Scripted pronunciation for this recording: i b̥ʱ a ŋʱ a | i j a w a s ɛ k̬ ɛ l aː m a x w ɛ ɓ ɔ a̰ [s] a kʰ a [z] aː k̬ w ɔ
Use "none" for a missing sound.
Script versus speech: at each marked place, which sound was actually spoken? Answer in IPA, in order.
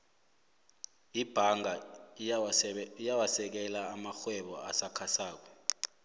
s, s

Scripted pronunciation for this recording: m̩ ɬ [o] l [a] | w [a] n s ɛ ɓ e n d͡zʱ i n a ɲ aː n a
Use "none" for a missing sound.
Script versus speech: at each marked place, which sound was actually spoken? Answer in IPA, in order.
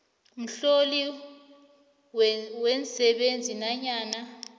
o, i, ɛ

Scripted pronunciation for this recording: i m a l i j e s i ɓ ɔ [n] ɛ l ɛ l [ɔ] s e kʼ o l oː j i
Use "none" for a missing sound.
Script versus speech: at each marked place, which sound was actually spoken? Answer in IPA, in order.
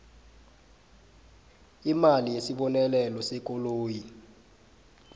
n, ɔ

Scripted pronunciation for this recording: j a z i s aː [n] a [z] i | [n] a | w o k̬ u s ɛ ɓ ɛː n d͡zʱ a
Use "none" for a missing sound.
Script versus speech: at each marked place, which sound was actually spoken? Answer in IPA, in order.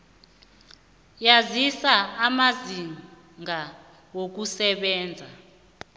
m, z, ŋ

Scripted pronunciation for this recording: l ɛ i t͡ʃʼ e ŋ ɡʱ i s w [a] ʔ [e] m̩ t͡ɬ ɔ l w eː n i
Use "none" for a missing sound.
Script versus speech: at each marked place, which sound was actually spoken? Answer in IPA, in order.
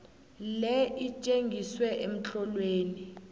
ɛ, e

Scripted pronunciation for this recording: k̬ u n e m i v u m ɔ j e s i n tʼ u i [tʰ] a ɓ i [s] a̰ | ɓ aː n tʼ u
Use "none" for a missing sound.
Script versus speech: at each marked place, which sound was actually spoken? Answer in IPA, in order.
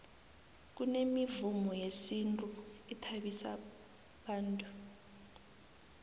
tʰ, s

